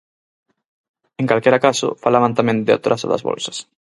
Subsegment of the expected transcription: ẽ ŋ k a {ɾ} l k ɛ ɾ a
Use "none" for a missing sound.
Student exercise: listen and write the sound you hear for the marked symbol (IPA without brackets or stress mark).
none